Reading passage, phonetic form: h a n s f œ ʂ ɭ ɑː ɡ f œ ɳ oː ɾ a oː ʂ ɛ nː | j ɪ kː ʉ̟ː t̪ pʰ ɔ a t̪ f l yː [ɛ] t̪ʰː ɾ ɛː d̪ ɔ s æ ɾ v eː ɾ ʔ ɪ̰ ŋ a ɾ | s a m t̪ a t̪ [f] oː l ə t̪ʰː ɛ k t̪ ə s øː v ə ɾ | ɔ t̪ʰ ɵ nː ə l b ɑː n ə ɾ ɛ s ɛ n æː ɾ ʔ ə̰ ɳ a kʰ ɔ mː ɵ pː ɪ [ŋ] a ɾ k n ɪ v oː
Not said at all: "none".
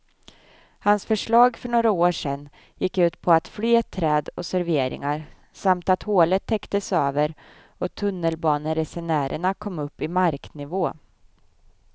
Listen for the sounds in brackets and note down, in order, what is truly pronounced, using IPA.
ɛ, h, m

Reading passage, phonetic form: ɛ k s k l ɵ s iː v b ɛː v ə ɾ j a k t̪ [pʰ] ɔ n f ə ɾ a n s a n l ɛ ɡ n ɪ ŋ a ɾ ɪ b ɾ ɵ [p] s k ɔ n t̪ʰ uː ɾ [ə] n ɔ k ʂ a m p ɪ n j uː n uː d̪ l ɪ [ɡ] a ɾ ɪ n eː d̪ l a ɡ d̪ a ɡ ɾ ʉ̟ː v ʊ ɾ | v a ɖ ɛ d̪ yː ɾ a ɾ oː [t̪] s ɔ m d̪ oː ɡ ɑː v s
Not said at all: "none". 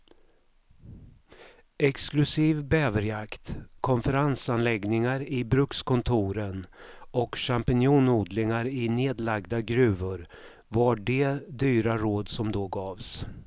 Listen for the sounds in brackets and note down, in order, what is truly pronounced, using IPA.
kʰ, k, ə, ŋ, d̪

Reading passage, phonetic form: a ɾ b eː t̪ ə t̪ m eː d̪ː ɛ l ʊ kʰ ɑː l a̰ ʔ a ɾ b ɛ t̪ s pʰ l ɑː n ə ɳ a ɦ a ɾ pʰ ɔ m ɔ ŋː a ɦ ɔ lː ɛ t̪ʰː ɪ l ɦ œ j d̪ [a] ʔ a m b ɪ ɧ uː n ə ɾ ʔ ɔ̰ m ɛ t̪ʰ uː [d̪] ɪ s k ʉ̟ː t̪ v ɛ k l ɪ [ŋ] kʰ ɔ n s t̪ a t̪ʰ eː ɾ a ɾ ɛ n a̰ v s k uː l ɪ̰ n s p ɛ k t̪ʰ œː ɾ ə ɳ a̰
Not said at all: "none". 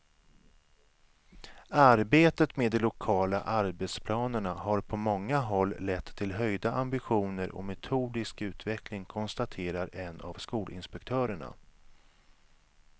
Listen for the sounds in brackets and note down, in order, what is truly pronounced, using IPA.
a, d̪, ŋ

